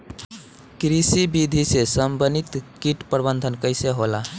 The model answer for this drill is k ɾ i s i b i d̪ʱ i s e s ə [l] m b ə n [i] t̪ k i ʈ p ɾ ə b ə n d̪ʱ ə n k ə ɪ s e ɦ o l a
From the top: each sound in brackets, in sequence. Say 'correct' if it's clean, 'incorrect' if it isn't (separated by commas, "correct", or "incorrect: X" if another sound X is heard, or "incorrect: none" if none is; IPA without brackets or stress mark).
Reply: incorrect: none, correct